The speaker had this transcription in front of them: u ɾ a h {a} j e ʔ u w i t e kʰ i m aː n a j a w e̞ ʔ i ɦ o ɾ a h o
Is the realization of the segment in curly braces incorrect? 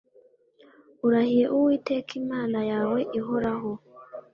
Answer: yes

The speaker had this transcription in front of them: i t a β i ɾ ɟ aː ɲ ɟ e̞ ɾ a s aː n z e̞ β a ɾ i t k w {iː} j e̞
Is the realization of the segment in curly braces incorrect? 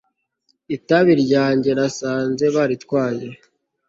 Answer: yes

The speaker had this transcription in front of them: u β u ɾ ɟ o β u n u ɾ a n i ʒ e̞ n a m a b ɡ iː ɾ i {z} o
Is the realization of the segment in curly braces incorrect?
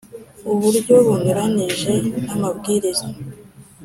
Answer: no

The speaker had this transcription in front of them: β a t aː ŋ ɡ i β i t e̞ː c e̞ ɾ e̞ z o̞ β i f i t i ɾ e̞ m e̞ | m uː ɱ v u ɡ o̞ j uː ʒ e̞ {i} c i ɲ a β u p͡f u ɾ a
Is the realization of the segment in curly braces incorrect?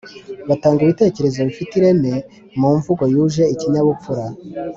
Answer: no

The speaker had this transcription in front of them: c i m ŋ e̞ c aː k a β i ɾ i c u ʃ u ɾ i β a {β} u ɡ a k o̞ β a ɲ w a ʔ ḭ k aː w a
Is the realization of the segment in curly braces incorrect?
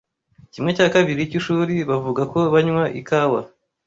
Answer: yes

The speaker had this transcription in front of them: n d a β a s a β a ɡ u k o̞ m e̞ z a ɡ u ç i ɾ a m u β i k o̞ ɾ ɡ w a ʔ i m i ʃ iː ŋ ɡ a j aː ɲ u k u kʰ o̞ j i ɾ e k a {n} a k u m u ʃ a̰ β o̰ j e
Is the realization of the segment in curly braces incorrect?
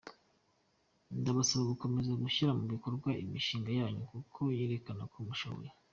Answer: no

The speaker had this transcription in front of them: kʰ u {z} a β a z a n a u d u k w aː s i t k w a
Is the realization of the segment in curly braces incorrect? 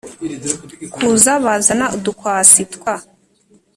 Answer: no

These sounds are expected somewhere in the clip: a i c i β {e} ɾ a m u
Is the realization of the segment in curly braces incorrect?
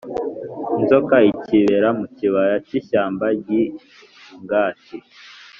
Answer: no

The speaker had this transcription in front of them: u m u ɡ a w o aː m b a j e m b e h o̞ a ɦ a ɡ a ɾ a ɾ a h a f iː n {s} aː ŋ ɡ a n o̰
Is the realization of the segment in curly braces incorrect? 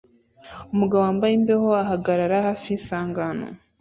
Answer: no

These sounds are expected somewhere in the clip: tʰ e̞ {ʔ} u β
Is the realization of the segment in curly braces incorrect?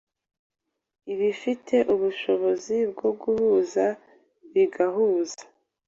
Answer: no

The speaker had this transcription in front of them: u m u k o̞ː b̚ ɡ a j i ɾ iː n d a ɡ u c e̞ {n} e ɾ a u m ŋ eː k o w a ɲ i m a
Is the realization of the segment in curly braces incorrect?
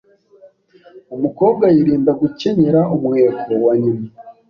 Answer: yes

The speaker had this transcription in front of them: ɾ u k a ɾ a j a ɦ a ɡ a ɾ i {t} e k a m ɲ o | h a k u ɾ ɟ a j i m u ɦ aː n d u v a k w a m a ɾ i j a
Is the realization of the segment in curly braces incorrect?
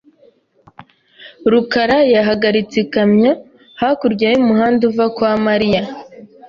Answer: yes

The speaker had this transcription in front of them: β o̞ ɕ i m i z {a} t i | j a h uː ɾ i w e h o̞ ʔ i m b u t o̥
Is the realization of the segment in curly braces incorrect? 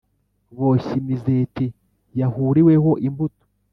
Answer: yes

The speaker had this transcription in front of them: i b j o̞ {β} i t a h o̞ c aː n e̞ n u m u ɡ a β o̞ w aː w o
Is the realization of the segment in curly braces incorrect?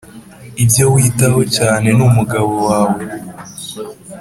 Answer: yes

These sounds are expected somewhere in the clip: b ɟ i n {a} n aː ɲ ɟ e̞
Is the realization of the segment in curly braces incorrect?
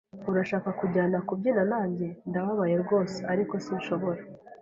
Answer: no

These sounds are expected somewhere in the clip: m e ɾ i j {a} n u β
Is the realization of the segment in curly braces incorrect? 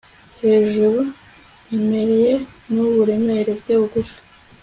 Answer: yes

